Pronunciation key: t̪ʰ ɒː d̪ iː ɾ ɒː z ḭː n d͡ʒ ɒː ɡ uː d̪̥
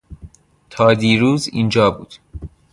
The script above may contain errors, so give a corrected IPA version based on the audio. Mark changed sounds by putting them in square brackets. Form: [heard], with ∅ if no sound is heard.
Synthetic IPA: t̪ʰ ɒː d̪ iː ɾ [uː] z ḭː n d͡ʒ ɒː [b] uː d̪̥

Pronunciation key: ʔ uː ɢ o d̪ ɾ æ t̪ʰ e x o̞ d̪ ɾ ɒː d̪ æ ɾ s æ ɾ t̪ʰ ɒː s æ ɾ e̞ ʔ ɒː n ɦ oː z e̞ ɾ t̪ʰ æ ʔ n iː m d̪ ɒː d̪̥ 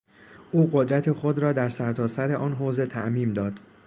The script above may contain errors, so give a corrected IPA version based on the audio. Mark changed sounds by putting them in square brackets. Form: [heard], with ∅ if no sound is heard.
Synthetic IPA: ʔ uː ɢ o d̪ ɾ æ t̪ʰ e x o̞ d̪ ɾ ɒː d̪ æ ɾ s æ ɾ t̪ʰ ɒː s æ ɾ e̞ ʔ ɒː n ɦ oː z e̞ [∅] t̪ʰ æ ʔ [m] iː m d̪ ɒː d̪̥

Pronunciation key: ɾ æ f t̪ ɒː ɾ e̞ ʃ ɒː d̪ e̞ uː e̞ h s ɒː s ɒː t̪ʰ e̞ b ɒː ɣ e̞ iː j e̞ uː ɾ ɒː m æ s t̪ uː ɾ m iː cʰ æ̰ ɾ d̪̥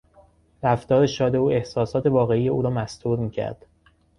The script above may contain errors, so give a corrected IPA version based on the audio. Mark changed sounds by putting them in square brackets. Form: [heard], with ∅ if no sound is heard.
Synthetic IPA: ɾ æ f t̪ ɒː ɾ e̞ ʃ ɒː d̪ e̞ uː e̞ h s ɒː s ɒː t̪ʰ e̞ [v] ɒː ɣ e̞ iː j e̞ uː ɾ ɒː m æ s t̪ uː ɾ m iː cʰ æ̰ ɾ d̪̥

